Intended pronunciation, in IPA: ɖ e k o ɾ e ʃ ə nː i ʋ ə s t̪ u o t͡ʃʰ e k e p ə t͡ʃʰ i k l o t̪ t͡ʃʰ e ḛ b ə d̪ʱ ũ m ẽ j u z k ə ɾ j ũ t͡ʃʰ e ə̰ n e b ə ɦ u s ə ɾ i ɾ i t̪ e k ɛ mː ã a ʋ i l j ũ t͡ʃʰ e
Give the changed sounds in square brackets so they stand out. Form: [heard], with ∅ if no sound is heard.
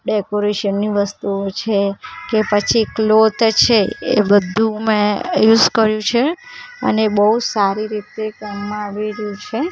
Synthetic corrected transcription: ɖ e k o ɾ e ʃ ə nː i ʋ ə s t̪ u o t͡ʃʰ e k e p ə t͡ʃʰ i k l o t̪ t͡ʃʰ e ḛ b ə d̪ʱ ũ m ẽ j u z k ə ɾ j ũ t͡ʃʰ e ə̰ n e b ə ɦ u s [a] ɾ i ɾ i t̪ e k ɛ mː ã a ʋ i [ɾ] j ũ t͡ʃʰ e